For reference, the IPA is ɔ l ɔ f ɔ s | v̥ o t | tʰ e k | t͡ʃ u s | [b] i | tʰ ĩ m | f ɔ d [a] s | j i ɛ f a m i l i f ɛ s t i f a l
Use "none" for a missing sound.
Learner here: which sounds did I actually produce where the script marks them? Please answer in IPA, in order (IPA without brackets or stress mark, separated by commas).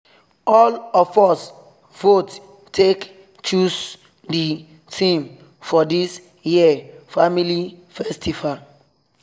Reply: d, i